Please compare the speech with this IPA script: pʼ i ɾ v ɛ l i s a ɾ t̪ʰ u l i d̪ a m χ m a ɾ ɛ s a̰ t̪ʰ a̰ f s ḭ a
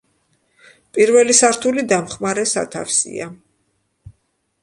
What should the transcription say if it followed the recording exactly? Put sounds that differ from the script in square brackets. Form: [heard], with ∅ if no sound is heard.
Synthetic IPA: pʼ i ɾ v ɛ l i s a ɾ t̪ʰ u l i d̪ a m χ m a ɾ ɛ s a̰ t̪ʰ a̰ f s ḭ a